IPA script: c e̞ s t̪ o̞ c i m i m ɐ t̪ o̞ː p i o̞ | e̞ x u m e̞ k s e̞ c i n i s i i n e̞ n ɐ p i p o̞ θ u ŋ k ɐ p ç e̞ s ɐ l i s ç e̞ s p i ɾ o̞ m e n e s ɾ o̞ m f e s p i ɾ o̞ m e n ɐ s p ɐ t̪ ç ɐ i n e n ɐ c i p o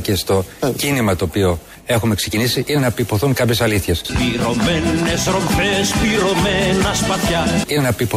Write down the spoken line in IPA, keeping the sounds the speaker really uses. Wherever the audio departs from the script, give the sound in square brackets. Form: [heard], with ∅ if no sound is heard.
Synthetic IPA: c e̞ s t̪ o̞ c i [n] i m ɐ t̪ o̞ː p i o̞ | e̞ x u m e̞ k s e̞ c i n i s i i n e̞ n ɐ p i p o̞ θ u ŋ k ɐ p ç e̞ s ɐ l i [θ] ç e̞ s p i ɾ o̞ m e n e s ɾ o̞ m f e s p i ɾ o̞ m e n ɐ s p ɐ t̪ ç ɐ i n e n ɐ [p] i p o